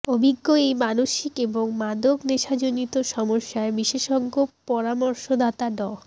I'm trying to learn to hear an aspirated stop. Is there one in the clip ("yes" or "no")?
no